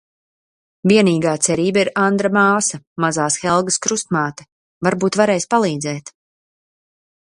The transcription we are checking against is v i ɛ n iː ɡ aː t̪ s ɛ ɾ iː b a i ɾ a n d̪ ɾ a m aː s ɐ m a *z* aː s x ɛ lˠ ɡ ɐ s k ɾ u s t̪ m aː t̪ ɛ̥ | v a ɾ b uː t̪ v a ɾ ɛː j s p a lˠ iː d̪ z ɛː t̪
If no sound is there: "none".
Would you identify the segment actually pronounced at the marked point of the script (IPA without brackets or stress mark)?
z